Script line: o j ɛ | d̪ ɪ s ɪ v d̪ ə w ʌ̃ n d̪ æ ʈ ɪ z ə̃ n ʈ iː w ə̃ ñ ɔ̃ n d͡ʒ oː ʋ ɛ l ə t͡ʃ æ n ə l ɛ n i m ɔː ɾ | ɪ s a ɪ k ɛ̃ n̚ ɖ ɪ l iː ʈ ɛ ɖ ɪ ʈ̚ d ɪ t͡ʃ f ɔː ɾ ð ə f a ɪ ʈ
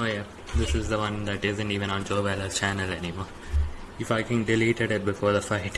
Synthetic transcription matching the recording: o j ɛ | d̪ ɪ s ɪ z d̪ ə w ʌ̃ n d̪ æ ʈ ɪ z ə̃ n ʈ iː ʋ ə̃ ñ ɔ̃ n d͡ʒ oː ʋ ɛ l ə t͡ʃ æ n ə l ɛ n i m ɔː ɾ | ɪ f a ɪ k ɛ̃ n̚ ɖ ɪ l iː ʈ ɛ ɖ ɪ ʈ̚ b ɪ f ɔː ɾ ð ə f a ɪ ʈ